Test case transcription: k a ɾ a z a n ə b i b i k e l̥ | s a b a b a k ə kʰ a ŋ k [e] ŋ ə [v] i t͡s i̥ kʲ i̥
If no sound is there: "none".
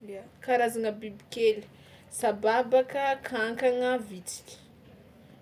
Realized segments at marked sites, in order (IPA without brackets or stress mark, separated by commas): a, v